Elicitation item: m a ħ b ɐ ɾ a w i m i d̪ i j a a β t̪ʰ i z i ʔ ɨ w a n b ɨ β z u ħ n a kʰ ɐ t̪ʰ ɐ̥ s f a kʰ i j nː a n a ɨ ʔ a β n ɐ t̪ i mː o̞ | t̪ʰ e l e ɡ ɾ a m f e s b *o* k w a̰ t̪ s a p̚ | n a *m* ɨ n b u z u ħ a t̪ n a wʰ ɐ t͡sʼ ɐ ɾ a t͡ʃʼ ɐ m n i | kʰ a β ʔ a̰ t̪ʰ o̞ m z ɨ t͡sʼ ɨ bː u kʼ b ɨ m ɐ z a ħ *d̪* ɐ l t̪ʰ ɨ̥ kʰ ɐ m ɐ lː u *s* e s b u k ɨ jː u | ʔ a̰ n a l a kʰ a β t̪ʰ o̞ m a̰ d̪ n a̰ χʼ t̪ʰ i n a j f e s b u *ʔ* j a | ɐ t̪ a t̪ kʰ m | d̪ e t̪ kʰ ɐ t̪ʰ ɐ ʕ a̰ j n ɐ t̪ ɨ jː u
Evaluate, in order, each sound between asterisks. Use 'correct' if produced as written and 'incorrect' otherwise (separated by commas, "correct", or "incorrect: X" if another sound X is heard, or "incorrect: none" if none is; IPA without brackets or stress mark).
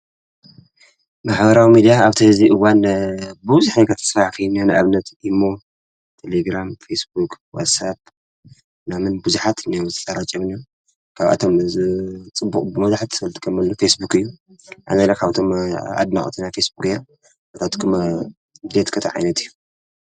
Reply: incorrect: u, correct, incorrect: t̪, incorrect: f, incorrect: k